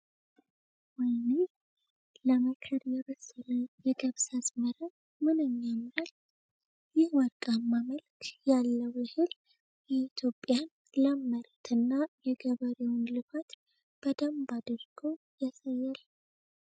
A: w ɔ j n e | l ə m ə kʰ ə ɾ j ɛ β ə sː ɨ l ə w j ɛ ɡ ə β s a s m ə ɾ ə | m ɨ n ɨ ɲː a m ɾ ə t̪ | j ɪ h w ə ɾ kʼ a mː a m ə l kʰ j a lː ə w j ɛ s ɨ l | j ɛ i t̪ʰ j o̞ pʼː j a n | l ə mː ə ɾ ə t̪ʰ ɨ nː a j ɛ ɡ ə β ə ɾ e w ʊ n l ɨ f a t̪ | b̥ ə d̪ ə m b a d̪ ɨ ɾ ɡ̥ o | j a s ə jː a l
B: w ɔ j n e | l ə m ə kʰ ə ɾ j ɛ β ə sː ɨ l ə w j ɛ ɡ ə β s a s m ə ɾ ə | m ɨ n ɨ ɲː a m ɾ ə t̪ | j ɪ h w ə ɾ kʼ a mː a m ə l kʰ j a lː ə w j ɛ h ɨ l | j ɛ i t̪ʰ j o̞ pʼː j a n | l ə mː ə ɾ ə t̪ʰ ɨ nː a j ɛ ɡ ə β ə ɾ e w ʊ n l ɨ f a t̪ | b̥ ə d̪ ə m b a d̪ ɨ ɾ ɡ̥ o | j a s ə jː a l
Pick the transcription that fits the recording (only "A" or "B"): B